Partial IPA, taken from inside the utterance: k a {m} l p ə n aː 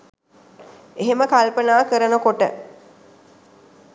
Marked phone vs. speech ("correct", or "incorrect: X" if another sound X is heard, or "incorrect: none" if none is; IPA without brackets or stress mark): incorrect: none